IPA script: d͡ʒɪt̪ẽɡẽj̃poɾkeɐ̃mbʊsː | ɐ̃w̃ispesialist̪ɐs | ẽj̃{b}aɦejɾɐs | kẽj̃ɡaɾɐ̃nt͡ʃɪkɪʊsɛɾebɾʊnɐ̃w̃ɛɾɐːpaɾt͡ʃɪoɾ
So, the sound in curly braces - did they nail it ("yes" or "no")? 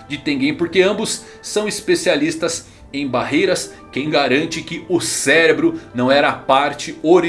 yes